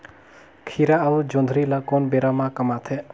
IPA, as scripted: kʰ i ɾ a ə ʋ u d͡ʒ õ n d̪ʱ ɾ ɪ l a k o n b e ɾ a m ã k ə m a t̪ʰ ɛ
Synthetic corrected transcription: kʰ i ɾ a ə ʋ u d͡ʒ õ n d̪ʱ ɾ i l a k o n b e ɾ a m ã k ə m a t̪ʰ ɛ